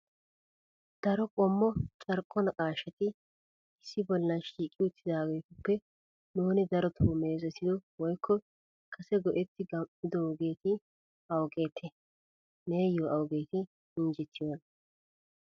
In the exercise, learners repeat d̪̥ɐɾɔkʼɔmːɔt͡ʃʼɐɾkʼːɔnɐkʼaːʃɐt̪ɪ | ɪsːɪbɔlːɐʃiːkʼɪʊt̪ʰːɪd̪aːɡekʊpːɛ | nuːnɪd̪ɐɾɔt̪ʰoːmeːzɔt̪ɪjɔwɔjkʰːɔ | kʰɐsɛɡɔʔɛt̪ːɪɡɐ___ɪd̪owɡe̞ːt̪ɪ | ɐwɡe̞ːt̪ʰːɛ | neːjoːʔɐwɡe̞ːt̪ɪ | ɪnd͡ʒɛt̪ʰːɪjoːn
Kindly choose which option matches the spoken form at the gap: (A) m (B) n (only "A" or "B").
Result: A